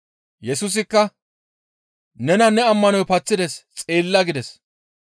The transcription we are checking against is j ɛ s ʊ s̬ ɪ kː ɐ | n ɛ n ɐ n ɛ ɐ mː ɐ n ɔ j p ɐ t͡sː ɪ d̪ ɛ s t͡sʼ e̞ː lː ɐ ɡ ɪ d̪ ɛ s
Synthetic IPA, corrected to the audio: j ɛ s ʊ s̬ ɪ kː ɐ | n ɛ n ɐ n ɛ ɐ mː ɐ n ɔ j p ɐ t͡sː ɪ d̪ ɛ s t͡sʼ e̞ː lː ɐ ɡ ɪ d̪ ɛ s